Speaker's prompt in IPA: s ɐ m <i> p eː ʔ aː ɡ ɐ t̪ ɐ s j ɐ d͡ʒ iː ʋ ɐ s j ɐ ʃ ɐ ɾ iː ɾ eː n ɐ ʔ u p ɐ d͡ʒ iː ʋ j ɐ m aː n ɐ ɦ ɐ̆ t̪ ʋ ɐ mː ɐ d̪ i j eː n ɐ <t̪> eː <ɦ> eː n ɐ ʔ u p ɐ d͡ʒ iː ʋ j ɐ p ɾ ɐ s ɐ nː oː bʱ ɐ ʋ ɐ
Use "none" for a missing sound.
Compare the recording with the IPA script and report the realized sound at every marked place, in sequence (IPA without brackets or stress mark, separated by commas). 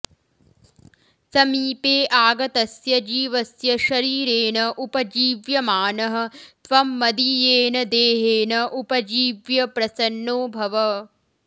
iː, d̪, ɦ